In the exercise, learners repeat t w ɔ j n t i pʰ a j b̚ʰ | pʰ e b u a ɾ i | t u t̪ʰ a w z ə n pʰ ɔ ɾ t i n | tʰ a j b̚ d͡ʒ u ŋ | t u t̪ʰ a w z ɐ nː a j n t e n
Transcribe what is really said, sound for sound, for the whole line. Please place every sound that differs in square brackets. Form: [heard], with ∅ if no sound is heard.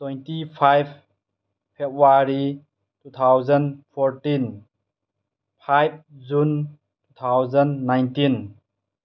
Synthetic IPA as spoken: t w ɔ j n t i pʰ a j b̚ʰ | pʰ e b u a ɾ i | t u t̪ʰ a w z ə n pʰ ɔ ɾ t i n | [pʰ] a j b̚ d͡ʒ u [n] | t u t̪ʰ a w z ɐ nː a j n t [i] n